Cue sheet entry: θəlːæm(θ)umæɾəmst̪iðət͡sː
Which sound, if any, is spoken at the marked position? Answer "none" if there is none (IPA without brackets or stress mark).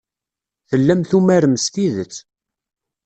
θ